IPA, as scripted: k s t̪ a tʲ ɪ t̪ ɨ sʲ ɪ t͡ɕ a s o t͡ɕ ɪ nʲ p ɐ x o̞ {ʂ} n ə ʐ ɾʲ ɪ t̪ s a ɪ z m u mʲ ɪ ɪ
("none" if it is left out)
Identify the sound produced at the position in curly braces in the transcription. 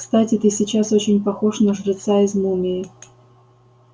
ʂ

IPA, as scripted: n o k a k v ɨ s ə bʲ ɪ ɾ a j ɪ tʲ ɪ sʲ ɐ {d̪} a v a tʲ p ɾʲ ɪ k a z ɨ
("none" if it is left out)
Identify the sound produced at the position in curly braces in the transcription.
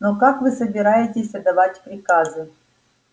d̪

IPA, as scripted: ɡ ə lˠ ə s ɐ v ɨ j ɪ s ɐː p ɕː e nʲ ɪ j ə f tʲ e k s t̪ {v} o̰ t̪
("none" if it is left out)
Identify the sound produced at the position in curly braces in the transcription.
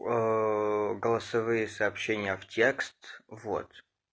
v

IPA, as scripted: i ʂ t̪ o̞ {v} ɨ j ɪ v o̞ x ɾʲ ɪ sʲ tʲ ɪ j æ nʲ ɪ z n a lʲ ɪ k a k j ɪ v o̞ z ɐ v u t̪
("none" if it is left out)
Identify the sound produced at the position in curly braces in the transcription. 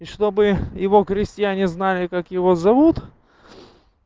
b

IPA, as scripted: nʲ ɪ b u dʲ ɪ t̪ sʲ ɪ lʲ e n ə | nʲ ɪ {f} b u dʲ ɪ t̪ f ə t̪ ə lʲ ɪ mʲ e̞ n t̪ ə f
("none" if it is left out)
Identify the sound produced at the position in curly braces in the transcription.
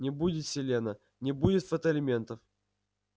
none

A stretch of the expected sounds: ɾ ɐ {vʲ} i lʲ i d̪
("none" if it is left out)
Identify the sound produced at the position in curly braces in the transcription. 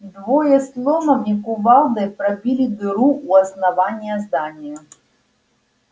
bʲ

